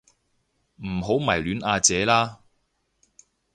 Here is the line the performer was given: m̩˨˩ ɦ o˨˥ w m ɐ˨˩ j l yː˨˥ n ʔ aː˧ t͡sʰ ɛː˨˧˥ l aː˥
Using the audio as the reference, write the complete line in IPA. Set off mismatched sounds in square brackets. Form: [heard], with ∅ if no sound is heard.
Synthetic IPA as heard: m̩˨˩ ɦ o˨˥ w m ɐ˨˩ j l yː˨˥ n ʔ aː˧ [t͡s] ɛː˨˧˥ l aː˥